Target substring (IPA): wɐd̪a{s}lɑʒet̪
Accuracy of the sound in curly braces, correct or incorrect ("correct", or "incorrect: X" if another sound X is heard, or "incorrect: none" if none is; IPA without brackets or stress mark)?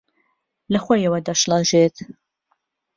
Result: incorrect: ʃ